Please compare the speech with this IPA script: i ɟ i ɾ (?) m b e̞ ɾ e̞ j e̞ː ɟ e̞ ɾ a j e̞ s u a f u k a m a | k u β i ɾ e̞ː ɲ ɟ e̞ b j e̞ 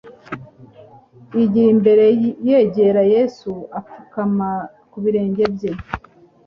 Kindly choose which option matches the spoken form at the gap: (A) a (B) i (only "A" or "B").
B